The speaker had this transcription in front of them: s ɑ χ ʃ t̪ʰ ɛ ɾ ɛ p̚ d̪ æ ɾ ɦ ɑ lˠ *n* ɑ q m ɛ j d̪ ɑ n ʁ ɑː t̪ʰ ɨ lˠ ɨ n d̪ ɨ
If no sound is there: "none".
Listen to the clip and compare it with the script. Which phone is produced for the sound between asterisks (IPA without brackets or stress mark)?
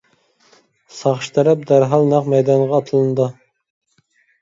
n